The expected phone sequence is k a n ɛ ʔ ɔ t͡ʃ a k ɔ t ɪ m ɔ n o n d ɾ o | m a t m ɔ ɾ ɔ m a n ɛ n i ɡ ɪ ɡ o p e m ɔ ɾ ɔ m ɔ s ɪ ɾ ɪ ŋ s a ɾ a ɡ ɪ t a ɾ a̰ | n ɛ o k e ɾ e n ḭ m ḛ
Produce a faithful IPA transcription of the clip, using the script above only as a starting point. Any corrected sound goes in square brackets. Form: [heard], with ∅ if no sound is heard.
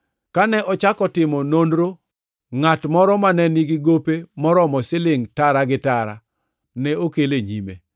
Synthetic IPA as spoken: k a n ɛ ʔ ɔ t͡ʃ a k ɔ t ɪ m ɔ n o n d ɾ o | [ŋ] a t m ɔ ɾ ɔ m a n ɛ n i ɡ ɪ ɡ o p e m ɔ ɾ ɔ m ɔ s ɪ [l] ɪ ŋ [t] a ɾ a ɡ ɪ t a ɾ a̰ | n ɛ o k e [l] e [ɲ] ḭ m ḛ